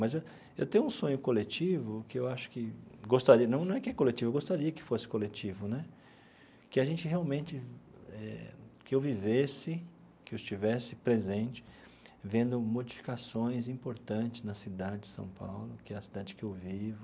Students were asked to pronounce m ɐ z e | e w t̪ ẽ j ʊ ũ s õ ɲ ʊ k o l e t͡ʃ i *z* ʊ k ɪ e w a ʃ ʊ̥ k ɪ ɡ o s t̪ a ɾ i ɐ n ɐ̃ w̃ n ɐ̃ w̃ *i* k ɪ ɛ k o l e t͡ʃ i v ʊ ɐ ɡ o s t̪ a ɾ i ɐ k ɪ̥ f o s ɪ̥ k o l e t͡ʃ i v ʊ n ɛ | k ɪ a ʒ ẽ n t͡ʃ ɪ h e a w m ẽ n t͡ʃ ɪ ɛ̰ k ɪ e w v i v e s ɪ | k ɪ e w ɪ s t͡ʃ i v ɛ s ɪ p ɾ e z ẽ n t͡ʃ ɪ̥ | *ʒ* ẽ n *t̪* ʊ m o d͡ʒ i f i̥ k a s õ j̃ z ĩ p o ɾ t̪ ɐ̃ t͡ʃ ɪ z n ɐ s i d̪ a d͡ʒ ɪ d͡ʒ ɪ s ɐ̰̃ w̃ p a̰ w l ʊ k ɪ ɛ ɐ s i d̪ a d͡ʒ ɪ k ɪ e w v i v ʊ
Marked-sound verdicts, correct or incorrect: incorrect: v, incorrect: ɛ, incorrect: v, incorrect: d̪

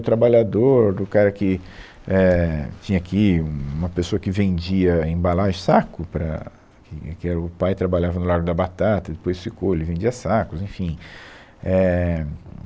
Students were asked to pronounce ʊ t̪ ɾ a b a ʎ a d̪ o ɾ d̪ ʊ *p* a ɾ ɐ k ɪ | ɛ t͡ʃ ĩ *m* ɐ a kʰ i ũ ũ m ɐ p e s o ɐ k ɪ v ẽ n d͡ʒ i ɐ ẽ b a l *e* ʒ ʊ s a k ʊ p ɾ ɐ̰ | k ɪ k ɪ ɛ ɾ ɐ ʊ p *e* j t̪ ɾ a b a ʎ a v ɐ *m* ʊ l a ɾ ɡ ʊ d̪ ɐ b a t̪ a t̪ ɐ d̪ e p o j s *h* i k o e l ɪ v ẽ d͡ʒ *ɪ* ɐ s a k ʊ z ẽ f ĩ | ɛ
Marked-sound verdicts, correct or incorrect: incorrect: k, incorrect: ɲ, incorrect: a, incorrect: a, incorrect: n, incorrect: f, incorrect: i

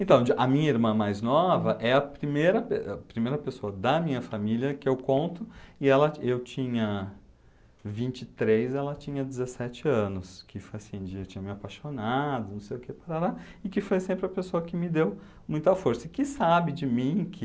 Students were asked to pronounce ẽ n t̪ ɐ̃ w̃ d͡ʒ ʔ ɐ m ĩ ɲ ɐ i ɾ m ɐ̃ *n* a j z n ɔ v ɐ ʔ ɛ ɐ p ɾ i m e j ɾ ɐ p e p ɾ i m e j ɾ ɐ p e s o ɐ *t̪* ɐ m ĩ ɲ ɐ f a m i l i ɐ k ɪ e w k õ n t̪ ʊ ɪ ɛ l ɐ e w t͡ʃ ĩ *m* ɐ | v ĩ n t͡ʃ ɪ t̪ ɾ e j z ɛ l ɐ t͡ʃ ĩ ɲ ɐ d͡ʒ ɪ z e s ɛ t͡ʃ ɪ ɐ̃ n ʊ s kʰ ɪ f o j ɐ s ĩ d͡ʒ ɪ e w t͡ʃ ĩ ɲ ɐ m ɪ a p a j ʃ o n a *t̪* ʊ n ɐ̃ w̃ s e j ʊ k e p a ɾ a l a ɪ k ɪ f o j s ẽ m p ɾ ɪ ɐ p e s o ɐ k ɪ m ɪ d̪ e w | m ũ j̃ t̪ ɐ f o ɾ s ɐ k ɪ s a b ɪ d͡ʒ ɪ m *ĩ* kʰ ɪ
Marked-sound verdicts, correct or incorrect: incorrect: m, incorrect: d̪, incorrect: ɲ, incorrect: d̪, correct

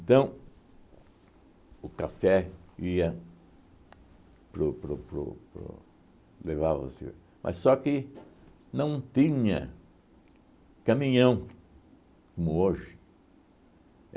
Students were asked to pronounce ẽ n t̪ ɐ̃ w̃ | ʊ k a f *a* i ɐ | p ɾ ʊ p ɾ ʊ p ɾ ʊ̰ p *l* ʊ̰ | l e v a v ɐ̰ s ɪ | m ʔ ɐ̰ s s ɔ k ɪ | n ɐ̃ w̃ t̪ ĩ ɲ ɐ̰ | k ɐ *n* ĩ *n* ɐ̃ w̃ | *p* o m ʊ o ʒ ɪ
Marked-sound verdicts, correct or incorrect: incorrect: ɛ, incorrect: ɾ, incorrect: m, incorrect: ɲ, incorrect: k

